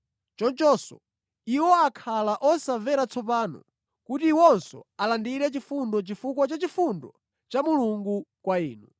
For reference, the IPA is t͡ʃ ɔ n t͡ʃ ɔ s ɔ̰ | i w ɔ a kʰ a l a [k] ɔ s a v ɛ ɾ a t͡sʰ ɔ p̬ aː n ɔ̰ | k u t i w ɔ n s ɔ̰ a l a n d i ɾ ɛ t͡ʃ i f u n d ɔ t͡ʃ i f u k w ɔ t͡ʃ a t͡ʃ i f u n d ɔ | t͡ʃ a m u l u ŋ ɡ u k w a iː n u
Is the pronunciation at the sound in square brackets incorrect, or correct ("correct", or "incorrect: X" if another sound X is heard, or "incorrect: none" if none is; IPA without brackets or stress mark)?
incorrect: ʔ